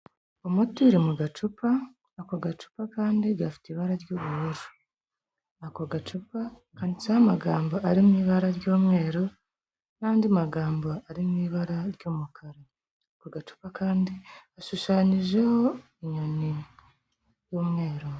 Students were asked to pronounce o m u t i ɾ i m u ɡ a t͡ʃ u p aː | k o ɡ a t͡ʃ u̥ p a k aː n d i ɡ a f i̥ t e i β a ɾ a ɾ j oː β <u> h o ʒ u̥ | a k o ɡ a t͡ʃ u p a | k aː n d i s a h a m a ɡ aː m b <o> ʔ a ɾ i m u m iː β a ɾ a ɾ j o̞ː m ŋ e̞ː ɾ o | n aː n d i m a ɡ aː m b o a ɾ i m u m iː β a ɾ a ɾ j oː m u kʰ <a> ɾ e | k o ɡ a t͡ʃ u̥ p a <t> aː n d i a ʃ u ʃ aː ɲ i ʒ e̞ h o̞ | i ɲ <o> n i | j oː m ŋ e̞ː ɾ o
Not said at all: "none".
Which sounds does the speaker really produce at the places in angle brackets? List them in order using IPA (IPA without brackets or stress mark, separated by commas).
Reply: u, o, a, k, o